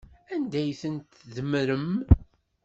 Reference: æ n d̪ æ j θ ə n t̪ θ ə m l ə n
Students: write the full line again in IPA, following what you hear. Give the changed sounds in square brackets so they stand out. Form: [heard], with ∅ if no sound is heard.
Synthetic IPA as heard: æ n d̪ æ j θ ə n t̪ [ð] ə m [ɾ] ə [m]